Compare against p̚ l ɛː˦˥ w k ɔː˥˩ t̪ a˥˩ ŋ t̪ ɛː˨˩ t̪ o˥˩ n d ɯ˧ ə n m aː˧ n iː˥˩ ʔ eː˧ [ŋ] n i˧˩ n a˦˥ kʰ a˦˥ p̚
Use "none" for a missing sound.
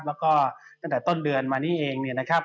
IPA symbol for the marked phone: ŋ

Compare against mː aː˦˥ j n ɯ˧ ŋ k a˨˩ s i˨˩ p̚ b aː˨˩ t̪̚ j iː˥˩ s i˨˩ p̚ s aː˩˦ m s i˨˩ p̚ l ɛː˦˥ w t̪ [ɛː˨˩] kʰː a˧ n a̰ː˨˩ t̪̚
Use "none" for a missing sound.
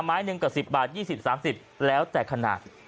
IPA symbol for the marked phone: ɛː˨˩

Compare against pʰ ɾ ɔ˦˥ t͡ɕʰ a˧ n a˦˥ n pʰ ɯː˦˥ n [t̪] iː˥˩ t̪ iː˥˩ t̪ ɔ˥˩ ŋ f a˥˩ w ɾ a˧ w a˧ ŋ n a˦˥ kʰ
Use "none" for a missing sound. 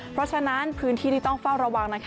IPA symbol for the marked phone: t̪ʰ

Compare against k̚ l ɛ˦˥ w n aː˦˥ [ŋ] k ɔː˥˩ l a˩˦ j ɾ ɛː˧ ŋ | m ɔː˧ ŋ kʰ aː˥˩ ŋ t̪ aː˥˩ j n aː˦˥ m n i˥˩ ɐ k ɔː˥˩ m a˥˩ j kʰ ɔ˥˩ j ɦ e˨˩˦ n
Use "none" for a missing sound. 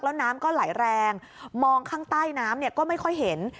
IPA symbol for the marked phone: m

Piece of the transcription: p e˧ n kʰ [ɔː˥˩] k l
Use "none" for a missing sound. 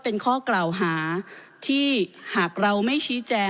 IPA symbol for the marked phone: ɔː˥˩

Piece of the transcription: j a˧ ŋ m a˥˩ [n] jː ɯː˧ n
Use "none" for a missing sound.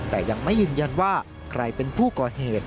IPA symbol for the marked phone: none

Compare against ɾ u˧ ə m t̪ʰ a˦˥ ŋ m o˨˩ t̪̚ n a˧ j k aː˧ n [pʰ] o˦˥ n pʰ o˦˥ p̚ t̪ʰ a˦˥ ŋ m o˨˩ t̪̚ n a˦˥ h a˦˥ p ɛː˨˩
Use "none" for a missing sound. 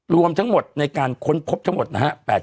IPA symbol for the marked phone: kʰ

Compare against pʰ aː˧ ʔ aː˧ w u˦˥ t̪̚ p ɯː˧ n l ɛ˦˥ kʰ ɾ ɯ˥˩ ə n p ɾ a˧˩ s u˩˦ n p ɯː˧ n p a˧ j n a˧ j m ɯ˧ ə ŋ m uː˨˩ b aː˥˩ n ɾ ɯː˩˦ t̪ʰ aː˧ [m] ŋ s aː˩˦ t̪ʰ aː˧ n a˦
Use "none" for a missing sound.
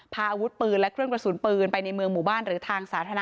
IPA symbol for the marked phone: none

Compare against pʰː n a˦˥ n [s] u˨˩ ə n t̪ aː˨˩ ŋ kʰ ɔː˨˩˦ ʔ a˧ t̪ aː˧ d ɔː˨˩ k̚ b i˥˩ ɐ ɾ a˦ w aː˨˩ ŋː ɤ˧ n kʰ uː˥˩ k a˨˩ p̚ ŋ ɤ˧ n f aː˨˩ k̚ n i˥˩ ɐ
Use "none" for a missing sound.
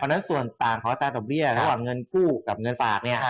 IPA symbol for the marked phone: s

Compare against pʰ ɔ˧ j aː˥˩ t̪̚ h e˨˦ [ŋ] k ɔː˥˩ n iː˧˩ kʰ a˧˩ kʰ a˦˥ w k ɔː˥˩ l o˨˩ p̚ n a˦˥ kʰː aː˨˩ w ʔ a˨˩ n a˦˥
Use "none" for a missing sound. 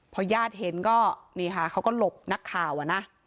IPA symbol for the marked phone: n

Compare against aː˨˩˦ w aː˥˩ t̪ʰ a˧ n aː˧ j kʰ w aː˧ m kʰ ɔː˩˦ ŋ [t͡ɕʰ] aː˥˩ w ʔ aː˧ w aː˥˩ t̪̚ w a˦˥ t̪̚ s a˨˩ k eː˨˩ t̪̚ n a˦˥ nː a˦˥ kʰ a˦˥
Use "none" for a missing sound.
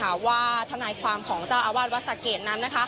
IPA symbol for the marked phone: t͡ɕ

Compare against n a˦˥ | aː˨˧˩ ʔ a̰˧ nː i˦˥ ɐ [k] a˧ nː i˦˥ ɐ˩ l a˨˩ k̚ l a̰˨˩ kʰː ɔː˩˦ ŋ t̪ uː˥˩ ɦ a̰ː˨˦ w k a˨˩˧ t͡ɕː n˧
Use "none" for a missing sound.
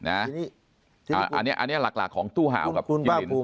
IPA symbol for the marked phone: ʔ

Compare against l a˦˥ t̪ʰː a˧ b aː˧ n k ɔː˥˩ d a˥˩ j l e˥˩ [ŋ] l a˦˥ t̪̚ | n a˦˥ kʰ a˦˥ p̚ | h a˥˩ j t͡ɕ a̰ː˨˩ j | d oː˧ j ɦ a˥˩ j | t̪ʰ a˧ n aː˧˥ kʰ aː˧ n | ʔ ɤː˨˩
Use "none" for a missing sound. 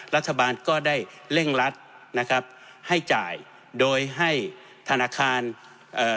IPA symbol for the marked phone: ŋ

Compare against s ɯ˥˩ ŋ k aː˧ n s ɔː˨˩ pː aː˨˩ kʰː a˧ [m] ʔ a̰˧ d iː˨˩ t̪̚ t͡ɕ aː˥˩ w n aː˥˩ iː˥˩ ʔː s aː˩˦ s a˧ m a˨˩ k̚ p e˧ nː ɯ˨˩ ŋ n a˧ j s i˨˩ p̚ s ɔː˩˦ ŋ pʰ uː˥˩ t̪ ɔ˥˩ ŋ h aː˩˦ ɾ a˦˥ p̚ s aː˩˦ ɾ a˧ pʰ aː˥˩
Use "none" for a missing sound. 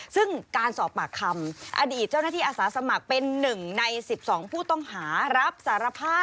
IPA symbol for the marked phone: m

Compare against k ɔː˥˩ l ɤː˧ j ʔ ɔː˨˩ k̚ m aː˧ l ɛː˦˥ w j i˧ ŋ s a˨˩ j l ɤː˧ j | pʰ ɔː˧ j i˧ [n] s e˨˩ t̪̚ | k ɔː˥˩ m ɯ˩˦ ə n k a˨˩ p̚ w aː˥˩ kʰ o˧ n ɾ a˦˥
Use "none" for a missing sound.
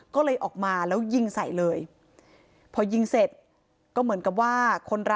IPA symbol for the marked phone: ŋ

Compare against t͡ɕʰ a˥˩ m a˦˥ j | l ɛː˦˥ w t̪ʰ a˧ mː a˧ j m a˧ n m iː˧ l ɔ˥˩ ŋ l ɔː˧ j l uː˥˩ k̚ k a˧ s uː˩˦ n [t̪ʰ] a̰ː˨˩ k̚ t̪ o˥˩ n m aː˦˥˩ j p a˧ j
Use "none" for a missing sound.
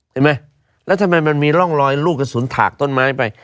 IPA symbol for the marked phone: t̪ʰ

